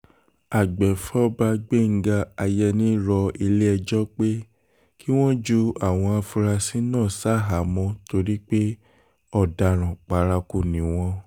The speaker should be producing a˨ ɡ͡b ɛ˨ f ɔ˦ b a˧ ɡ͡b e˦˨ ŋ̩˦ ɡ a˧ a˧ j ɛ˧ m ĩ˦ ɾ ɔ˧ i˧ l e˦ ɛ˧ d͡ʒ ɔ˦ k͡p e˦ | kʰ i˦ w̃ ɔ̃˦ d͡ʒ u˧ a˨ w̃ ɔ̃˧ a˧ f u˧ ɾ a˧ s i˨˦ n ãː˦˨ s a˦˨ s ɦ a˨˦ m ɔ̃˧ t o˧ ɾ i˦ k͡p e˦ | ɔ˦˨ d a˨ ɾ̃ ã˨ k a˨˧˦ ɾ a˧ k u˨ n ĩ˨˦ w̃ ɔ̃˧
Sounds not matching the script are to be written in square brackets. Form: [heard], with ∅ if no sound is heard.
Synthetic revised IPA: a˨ ɡ͡b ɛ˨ f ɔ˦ b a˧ ɡ͡b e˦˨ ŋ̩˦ ɡ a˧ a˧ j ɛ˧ [n] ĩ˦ ɾ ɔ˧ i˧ l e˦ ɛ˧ d͡ʒ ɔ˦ k͡p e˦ | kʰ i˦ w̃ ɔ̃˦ d͡ʒ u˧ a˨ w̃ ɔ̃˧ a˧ f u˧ ɾ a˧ s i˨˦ n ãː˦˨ s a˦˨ [∅] ɦ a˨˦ m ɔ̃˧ t o˧ ɾ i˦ k͡p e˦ | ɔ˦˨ d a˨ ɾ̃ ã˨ [k͡p] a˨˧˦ ɾ a˧ k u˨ n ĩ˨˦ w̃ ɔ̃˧

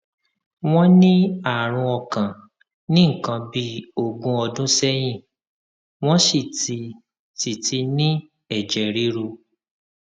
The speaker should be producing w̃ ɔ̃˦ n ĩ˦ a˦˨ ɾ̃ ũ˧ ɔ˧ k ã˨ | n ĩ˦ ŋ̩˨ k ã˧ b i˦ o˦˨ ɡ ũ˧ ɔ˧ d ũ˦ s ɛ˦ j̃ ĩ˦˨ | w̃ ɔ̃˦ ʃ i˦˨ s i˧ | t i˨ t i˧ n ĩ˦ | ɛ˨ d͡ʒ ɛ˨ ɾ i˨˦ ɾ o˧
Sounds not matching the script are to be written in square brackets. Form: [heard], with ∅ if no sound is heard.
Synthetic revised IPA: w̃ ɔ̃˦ n ĩ˦ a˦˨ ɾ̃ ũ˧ ɔ˧ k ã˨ | n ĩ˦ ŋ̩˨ k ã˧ b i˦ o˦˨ ɡ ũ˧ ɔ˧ d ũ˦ s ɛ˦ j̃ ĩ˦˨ | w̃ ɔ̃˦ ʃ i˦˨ [t] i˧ | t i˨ t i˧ n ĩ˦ | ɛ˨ d͡ʒ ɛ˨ ɾ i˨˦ ɾ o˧

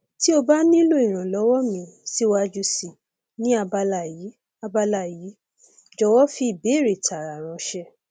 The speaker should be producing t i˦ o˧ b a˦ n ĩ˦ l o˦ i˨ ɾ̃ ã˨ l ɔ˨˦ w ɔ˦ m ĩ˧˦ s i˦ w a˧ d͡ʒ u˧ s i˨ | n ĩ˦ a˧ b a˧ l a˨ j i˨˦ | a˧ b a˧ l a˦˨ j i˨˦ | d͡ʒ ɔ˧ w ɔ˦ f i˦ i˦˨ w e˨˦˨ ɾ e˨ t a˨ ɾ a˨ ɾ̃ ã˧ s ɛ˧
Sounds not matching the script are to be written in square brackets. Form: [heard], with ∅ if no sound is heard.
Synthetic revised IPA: t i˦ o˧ b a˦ n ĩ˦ l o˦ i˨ ɾ̃ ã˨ l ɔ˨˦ w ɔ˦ m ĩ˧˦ s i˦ w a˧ d͡ʒ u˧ s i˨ | n ĩ˦ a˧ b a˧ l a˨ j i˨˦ | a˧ b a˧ l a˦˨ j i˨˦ | d͡ʒ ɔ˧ w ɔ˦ f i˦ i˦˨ [b] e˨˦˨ ɾ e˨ t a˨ ɾ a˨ ɾ̃ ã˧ [ʃ] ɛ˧

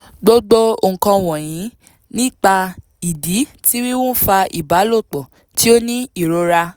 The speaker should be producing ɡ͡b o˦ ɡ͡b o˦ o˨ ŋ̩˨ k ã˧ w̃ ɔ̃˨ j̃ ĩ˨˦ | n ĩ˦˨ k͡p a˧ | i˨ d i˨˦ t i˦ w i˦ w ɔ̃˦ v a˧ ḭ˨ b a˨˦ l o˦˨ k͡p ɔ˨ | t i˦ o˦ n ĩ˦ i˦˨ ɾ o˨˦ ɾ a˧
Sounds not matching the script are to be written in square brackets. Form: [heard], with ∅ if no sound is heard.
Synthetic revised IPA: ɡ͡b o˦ ɡ͡b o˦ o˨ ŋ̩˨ k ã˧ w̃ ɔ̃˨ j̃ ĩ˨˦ | n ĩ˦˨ k͡p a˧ | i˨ d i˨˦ t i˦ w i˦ w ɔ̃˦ [f] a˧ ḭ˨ b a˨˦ l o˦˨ k͡p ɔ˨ | t i˦ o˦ n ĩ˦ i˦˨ ɾ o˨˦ ɾ a˧

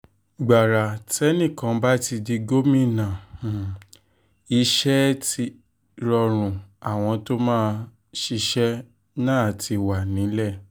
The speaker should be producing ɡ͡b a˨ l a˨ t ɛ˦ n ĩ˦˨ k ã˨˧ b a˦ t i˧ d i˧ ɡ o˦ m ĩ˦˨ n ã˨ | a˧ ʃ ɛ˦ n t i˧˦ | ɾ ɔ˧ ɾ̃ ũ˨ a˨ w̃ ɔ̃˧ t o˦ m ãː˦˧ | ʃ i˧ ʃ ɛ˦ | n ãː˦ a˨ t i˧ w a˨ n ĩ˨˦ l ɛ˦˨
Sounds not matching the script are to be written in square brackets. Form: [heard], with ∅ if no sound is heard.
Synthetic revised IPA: ɡ͡b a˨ [ɾ] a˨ t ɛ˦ n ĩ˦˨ k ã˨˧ b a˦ t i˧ d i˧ ɡ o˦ m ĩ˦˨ n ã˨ | [i˧] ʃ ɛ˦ [∅] t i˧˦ | ɾ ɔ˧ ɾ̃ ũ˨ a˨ w̃ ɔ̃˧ t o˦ m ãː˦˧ | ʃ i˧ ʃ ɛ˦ | n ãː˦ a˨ t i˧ w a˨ n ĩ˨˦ l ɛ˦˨

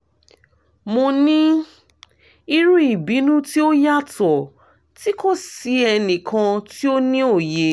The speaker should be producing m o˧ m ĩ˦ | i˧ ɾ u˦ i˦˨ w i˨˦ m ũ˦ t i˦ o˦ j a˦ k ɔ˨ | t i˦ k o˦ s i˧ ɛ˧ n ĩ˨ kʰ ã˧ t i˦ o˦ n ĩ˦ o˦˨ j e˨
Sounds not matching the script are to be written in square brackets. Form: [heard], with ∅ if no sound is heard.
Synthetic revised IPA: m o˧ [n] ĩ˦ | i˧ ɾ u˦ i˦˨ [b] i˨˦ [n] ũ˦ t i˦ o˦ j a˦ [t] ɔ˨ | t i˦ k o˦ s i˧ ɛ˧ n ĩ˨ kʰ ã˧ t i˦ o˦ n ĩ˦ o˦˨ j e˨

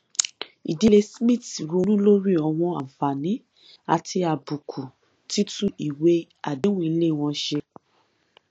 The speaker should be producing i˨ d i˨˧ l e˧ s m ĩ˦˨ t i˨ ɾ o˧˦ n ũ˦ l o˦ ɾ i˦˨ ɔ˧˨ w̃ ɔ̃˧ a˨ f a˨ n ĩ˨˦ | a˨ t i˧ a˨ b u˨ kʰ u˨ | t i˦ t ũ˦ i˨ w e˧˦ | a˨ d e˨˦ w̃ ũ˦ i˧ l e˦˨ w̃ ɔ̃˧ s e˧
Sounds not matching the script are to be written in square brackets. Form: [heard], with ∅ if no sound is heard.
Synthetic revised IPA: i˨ d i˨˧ l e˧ s m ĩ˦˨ t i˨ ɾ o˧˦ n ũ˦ l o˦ ɾ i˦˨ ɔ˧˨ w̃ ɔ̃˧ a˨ f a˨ n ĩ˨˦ | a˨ t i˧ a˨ b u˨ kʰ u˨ | t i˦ t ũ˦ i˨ w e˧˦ | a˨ d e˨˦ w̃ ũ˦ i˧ l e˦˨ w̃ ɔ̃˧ [ʃ] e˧

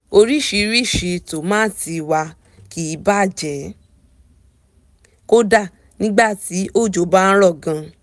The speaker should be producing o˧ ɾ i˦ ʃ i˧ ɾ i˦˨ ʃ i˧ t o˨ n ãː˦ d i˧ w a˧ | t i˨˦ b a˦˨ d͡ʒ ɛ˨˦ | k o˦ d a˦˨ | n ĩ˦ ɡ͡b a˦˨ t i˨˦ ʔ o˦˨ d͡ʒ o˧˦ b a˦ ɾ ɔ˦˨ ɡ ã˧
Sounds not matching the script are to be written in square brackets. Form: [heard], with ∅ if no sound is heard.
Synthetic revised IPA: o˧ ɾ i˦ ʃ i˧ ɾ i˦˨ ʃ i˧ t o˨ [m] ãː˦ [t] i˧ w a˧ | [k] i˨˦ b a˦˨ d͡ʒ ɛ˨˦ | k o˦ d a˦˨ | n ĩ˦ ɡ͡b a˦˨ t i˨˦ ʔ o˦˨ d͡ʒ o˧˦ b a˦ ɾ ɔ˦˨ ɡ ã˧

